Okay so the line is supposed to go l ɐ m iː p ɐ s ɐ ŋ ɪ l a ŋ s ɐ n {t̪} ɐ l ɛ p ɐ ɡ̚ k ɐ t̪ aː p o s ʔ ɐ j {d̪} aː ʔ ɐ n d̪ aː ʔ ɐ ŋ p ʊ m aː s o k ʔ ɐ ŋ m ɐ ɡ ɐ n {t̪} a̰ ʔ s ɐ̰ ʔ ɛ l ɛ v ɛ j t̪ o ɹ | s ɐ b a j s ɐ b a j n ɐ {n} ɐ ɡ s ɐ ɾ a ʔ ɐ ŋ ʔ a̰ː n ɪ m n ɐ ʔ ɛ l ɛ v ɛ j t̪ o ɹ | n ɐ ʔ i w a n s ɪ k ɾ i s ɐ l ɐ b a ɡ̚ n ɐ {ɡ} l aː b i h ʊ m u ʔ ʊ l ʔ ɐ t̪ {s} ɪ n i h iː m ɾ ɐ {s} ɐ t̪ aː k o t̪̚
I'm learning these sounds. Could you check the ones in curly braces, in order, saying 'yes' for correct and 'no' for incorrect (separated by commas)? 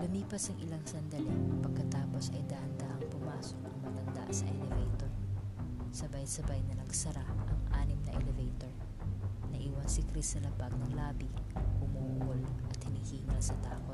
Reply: no, yes, no, yes, no, no, yes